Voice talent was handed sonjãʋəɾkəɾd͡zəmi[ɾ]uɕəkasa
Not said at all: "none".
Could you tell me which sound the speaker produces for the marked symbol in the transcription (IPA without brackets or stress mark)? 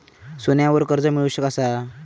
ɭ